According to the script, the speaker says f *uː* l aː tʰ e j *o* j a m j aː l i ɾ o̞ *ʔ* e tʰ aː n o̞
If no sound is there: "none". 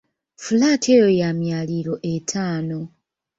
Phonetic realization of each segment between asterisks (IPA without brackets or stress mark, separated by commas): u, o, ʔ